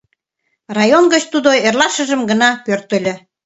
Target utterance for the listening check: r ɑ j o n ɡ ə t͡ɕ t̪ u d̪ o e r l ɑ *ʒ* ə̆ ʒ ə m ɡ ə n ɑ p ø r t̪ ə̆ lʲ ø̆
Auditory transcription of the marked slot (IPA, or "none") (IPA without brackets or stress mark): ʃ